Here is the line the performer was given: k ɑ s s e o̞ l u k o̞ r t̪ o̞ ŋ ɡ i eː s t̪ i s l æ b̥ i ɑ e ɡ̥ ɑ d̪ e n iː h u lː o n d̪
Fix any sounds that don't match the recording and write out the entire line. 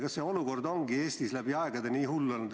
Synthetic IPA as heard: k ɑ s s e o̞ l u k o̞ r d̪ o̞ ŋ ɡ i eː s t̪ i s l æ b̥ i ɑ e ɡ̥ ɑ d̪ e n iː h u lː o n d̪